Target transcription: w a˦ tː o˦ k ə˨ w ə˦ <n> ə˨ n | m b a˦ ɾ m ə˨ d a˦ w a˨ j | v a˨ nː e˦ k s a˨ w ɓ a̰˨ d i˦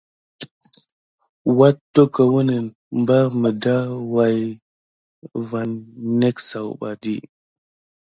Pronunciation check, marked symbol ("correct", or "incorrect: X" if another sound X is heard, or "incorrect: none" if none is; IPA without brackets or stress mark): correct